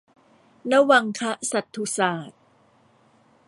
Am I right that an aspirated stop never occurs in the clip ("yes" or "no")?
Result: no